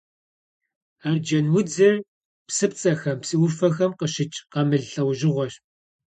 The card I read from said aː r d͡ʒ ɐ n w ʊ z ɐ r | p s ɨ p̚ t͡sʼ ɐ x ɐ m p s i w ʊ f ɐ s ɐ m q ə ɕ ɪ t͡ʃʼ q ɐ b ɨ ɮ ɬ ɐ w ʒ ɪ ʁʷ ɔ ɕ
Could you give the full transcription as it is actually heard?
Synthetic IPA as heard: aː r d͡ʒ ɐ n w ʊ d͡z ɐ r | p s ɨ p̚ t͡sʼ ɐ x ɐ m p s i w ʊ f ɐ x ɐ m q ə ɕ ɪ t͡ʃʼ q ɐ m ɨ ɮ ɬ ɐ w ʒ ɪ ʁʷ ɔ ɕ